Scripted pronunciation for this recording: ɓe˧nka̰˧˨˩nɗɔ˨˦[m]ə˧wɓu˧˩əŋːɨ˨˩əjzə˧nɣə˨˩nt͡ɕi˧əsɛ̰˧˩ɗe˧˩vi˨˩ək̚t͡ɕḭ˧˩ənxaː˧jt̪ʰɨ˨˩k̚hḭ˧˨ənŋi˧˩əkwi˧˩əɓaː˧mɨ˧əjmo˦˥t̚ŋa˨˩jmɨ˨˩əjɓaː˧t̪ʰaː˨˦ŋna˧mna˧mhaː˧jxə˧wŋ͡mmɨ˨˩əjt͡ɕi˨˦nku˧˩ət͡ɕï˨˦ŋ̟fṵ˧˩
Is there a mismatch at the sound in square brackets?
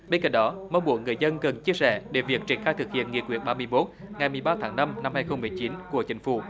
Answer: no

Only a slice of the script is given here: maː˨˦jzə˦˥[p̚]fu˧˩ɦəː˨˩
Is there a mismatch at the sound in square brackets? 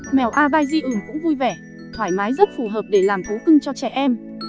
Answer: yes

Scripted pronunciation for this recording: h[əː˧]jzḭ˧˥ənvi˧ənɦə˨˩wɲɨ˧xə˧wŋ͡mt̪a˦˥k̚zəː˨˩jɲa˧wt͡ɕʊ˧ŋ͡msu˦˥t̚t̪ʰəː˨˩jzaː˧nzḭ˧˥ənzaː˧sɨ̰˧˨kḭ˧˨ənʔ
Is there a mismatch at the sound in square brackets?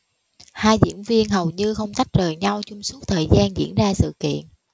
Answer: yes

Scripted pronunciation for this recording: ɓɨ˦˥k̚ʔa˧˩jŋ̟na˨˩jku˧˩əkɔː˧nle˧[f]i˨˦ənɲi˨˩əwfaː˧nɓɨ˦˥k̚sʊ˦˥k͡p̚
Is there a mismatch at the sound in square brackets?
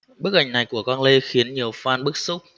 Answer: yes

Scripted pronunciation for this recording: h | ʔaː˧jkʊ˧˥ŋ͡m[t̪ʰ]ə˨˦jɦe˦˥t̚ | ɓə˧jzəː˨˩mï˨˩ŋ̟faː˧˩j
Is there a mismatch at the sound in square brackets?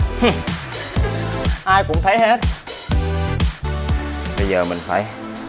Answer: no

